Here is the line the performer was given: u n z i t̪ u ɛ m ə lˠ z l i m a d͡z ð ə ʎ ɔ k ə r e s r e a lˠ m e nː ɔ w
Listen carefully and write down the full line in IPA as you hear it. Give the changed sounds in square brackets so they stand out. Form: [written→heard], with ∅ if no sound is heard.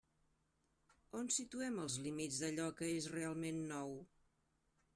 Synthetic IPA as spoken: [u→o] n [z→s] i t̪ u ɛ m ə lˠ z l i m [a→i] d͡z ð ə ʎ ɔ k ə [r→∅] e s r e a lˠ m e nː ɔ w